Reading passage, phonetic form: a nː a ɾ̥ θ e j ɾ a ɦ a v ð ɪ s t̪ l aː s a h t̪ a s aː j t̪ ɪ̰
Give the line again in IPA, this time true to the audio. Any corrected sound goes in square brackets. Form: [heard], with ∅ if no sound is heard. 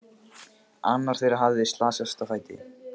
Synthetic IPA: a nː a ɾ̥ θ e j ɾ a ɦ a v ð ɪ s t̪ l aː s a [s] t̪ a [f] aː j t̪ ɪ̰